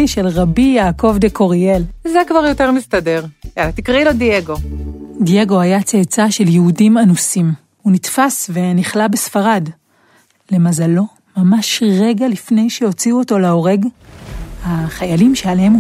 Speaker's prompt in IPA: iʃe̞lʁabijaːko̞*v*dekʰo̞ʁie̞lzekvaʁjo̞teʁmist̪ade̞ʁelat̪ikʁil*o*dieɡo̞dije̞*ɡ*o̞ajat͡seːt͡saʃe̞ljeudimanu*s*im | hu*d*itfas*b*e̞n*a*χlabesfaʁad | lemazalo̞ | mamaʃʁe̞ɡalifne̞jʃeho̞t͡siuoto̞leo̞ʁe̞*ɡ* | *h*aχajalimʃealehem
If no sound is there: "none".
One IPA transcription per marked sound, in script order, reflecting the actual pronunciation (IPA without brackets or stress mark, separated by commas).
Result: v, o, ɡ, s, n, v, i, ɡ, h